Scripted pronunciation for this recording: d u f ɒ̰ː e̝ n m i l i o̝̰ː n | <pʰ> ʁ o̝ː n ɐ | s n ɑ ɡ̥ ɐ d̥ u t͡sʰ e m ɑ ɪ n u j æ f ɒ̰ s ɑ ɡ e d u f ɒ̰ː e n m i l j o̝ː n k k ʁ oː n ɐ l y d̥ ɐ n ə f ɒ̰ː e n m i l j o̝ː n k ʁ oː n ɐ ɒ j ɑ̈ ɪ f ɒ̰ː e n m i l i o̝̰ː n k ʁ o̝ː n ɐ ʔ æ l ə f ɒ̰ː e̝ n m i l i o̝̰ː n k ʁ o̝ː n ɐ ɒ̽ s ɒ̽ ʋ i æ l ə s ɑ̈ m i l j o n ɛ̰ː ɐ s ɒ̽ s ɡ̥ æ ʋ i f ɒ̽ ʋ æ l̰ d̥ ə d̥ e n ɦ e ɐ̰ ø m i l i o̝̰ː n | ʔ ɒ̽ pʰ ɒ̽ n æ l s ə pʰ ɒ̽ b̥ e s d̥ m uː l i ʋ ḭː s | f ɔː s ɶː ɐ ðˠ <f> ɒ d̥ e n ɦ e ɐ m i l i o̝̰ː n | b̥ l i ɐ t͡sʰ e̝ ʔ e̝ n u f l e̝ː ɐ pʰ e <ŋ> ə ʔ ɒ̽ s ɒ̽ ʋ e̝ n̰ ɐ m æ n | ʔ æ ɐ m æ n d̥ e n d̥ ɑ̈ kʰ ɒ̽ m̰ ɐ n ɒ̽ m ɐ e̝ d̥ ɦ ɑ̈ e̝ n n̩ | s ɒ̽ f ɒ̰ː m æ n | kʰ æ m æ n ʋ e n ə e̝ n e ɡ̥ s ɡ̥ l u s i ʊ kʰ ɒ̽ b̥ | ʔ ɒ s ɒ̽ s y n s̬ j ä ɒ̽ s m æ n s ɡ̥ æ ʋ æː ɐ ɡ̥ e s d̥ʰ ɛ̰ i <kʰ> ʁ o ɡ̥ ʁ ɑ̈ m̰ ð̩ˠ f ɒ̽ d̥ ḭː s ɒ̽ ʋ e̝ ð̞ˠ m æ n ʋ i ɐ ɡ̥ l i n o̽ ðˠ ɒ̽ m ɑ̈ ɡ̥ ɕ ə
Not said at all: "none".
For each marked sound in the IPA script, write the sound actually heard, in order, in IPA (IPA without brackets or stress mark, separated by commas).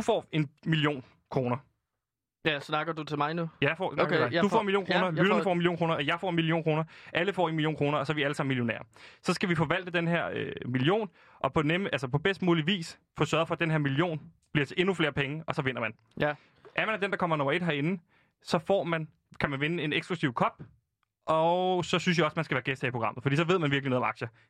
kʰ, f, ŋ, pʰ